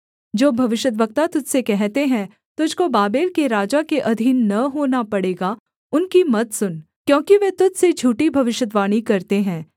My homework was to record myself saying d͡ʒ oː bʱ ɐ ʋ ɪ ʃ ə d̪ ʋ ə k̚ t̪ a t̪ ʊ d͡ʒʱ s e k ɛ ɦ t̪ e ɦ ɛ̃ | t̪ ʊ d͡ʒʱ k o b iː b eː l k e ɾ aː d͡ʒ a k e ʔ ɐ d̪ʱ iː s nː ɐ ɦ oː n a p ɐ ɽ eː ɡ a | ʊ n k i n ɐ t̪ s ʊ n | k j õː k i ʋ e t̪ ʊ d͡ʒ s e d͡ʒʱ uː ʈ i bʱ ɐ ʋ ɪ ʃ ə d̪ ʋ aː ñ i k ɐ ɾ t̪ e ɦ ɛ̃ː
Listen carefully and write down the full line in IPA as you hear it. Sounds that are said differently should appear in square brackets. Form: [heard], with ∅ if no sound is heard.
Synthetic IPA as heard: d͡ʒ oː bʱ ɐ ʋ ɪ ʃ ə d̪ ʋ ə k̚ t̪ a t̪ ʊ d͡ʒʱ s e k ɛ ɦ t̪ e ɦ ɛ̃ | t̪ ʊ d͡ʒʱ k o b [aː] b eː l k e ɾ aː d͡ʒ a k e ʔ ɐ d̪ʱ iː [∅] nː ɐ ɦ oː n a p ɐ ɽ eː ɡ a | ʊ n k i [m] ɐ t̪ s ʊ n | k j õː k i ʋ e t̪ ʊ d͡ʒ s e d͡ʒʱ uː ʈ i bʱ ɐ ʋ ɪ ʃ ə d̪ ʋ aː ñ i k ɐ ɾ t̪ e ɦ ɛ̃ː